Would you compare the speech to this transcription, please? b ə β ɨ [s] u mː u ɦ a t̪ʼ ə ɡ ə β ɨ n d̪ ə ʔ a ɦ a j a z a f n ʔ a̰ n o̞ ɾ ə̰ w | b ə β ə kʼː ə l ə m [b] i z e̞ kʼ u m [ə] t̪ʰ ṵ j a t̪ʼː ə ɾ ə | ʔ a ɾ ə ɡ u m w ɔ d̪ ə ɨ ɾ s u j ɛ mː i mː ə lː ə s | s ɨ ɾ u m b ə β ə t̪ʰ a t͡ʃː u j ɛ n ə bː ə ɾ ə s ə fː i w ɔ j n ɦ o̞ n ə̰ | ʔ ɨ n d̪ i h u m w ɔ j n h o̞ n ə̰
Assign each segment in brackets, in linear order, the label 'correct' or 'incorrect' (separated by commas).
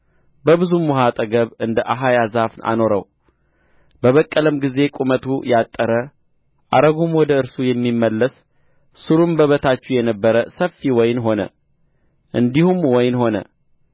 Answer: incorrect, incorrect, correct